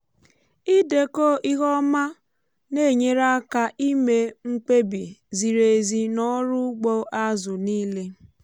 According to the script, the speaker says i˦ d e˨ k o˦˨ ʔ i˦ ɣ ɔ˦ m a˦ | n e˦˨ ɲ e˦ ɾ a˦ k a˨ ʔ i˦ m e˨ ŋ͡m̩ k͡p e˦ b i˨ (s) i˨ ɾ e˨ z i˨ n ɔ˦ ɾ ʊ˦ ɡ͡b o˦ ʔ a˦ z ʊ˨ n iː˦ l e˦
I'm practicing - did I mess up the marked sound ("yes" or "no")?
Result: yes